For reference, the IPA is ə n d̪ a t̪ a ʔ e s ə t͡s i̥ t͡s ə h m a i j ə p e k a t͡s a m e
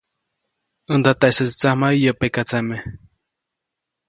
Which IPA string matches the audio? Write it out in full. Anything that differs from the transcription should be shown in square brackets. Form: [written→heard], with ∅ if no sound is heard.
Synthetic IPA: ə n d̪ a t̪ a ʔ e s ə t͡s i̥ t͡s [ə→a] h m a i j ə p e k a t͡s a m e